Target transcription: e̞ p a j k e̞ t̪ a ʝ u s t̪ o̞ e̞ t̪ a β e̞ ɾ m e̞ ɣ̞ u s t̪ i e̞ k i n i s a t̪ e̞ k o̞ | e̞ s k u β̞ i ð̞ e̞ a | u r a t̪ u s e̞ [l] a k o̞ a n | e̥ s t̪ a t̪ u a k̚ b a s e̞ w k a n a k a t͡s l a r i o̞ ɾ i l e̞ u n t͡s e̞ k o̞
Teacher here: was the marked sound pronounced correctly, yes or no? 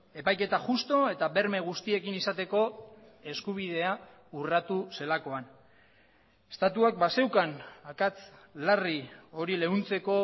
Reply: yes